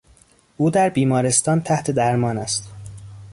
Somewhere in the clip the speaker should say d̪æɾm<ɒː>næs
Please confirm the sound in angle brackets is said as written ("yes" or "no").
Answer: yes